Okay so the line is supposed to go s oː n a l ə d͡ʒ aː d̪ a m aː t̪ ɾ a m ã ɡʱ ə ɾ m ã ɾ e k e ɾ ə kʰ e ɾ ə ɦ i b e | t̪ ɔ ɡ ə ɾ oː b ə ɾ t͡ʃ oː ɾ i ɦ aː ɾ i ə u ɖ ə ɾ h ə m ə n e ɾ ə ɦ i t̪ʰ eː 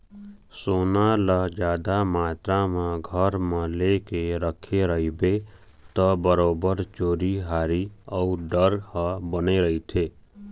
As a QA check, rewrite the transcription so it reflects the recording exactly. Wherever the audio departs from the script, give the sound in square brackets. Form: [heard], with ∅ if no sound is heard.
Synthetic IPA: s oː n a l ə d͡ʒ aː d̪ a m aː t̪ ɾ a m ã ɡʱ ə ɾ m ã [l] e k e ɾ ə kʰ e ɾ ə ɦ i b e | t̪ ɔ [b] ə ɾ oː b ə ɾ t͡ʃ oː ɾ i ɦ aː ɾ i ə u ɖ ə ɾ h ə [b] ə n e ɾ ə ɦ i t̪ʰ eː

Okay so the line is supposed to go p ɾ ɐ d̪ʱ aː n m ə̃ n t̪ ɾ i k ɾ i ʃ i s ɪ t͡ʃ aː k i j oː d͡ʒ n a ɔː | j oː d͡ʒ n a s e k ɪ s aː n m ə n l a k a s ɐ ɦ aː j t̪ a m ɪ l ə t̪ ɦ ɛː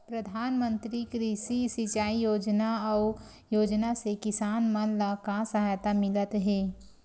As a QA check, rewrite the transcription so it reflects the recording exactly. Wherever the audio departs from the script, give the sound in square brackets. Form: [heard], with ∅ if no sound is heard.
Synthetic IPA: p ɾ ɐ d̪ʱ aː n m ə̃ n t̪ ɾ i k ɾ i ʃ i s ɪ t͡ʃ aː [∅] i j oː d͡ʒ n a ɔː | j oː d͡ʒ n a s e k ɪ s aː n m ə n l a k a s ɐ ɦ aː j t̪ a m ɪ l ə t̪ ɦ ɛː

